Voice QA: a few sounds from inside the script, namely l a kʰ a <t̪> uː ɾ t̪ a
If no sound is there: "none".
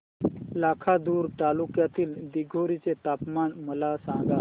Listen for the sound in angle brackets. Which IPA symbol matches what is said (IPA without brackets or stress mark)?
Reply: d̪